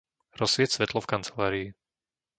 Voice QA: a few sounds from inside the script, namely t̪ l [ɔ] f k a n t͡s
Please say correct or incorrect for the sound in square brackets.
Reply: correct